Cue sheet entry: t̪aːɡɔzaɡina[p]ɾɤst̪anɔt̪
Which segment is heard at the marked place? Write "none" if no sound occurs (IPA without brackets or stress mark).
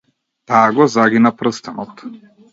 p